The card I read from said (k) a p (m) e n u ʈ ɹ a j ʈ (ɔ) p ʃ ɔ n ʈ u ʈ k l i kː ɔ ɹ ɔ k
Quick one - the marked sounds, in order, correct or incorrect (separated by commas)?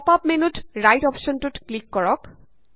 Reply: incorrect, correct, correct